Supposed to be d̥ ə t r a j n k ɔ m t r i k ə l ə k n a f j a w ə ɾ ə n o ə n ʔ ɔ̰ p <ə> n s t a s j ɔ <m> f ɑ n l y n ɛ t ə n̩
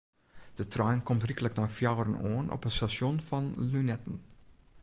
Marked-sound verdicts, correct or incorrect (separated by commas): correct, incorrect